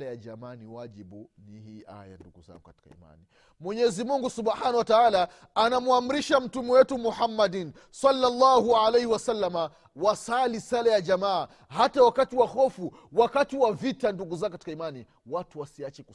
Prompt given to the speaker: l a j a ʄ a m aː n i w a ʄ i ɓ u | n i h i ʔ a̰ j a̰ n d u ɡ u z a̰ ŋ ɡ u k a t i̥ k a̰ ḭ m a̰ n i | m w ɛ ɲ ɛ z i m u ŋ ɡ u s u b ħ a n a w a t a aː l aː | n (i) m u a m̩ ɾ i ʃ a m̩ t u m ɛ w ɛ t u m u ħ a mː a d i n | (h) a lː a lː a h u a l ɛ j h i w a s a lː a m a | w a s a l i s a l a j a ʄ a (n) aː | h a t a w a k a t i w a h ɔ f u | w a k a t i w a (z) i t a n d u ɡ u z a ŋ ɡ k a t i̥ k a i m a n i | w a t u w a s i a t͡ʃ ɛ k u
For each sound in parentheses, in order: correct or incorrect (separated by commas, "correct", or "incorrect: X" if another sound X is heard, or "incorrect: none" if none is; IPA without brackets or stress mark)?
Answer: incorrect: a, incorrect: s, incorrect: m, incorrect: v